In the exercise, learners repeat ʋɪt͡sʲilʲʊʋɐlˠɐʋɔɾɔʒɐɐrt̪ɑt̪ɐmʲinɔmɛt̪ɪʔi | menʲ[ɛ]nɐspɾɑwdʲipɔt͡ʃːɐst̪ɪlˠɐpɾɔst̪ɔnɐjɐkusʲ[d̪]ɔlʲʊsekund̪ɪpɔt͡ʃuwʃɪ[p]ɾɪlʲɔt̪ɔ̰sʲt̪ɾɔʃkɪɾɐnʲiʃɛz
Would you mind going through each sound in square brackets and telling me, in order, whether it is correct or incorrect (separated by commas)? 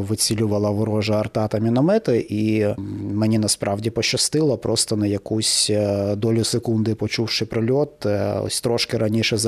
incorrect, correct, correct